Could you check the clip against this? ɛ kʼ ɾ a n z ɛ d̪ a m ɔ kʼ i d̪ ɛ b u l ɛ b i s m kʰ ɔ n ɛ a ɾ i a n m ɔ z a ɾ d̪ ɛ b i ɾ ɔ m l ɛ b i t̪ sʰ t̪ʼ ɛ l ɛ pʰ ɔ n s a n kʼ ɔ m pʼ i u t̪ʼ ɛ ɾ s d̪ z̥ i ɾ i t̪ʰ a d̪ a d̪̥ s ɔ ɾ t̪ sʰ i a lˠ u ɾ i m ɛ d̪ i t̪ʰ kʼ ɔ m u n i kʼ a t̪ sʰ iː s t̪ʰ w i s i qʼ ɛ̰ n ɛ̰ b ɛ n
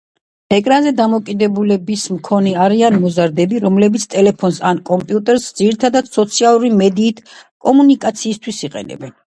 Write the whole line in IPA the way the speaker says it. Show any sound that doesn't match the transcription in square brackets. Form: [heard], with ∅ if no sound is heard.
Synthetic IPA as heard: ɛ kʼ ɾ a n z ɛ d̪ a m ɔ kʼ i d̪ ɛ b u l ɛ b i s m kʰ ɔ n ɛ a ɾ i a n m ɔ z a ɾ d̪ ɛ b i ɾ ɔ m l ɛ b i t̪ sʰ t̪ʼ ɛ l ɛ pʰ ɔ n s a n kʼ ɔ m pʼ i u t̪ʼ ɛ ɾ s d̪ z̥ i ɾ i t̪ʰ a d̪ a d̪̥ s ɔ [∅] t̪ sʰ i a lˠ u ɾ i m ɛ d̪ [iː] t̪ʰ kʼ ɔ m u n i kʼ a t̪ sʰ iː s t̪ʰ w i s i qʼ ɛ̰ n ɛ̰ b ɛ n